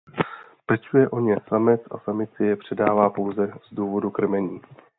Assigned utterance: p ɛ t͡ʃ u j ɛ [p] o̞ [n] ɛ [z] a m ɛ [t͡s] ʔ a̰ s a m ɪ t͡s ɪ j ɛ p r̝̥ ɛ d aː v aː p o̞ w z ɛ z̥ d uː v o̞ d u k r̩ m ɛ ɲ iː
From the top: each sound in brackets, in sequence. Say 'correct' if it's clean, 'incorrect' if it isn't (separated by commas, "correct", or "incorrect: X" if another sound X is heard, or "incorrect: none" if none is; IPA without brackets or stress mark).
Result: incorrect: ʔ, incorrect: ɲ, incorrect: s, correct